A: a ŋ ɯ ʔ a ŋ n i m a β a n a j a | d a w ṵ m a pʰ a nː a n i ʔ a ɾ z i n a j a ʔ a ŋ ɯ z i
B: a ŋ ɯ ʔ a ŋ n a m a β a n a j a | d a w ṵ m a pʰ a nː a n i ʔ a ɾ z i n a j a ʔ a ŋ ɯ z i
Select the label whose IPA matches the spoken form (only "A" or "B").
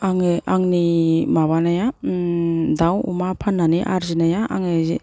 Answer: A